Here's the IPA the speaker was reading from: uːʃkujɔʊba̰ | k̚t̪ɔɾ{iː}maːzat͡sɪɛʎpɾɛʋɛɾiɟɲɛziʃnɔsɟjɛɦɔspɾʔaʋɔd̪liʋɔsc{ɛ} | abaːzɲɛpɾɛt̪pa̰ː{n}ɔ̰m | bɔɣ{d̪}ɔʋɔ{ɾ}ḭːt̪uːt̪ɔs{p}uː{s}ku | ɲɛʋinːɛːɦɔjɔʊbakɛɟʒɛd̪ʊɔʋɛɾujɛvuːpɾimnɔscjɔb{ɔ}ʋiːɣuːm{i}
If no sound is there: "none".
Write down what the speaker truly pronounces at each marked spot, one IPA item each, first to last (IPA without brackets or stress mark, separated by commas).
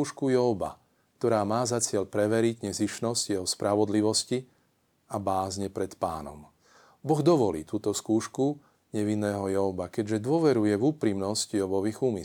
aː, i, n, d̪, l, k, ʃ, ɔ, i